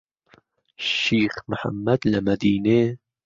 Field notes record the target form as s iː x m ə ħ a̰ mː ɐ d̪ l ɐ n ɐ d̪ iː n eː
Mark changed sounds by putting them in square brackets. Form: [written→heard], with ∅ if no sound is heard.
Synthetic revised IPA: [s→ʃ] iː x m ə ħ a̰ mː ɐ d̪ l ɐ [n→m] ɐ d̪ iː n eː